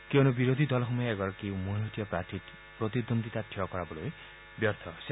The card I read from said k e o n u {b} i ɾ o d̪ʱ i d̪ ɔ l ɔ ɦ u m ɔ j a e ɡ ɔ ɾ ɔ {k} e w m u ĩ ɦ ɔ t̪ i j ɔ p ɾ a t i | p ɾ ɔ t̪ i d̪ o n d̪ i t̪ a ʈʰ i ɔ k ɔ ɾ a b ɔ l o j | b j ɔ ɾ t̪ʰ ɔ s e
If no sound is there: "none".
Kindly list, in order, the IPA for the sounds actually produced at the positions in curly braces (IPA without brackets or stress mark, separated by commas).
b, k